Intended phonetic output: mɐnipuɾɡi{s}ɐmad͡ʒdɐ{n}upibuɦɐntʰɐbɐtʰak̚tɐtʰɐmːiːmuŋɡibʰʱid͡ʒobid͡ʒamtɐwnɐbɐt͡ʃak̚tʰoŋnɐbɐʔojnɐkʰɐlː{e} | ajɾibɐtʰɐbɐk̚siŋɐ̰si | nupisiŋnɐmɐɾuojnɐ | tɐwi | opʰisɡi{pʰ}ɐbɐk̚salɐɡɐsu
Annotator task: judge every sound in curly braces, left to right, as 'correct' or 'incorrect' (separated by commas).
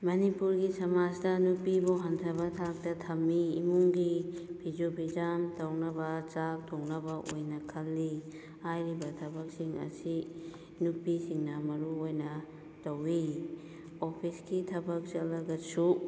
correct, correct, incorrect, incorrect